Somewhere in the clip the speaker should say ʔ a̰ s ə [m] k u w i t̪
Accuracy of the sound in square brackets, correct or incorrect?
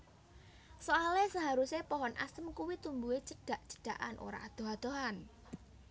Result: correct